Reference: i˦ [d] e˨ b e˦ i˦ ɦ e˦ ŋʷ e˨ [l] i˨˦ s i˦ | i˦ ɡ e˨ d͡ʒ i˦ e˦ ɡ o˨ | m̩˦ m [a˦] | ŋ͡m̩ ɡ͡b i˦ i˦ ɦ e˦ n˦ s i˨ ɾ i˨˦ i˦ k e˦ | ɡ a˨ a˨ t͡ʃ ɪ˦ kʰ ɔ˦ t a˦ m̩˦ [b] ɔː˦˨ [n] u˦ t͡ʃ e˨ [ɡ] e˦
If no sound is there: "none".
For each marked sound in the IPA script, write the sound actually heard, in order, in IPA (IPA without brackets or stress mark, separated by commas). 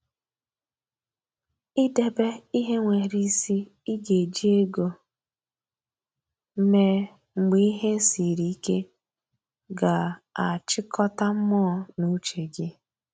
d, ɾ, e˦, m, n, ɡ